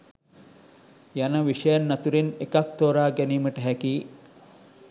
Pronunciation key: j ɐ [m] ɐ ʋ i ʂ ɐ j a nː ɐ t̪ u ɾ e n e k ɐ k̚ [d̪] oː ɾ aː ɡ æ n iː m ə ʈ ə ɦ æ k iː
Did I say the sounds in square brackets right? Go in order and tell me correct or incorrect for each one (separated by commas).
incorrect, incorrect